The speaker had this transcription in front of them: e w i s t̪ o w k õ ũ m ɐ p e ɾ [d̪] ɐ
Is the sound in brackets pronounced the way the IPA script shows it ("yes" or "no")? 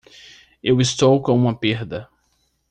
yes